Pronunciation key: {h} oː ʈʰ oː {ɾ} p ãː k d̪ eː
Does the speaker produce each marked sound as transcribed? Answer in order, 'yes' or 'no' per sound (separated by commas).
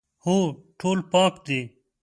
yes, no